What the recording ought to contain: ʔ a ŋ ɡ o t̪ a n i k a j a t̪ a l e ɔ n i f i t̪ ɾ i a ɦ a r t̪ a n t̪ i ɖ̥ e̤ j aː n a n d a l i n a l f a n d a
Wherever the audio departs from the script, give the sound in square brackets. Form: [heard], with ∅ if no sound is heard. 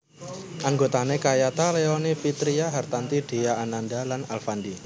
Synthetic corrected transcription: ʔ a ŋ ɡ o t̪ a n [e] k a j a t̪ a l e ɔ n i f i t̪ ɾ i a ɦ a r t̪ a n t̪ i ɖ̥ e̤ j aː n a n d a l [a] n a l f a n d [i]